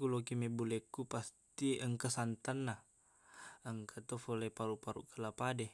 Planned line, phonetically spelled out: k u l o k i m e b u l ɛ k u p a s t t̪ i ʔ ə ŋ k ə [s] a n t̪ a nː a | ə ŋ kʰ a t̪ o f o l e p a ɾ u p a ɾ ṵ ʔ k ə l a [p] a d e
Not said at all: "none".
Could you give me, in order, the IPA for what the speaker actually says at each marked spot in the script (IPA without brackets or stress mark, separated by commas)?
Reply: s, p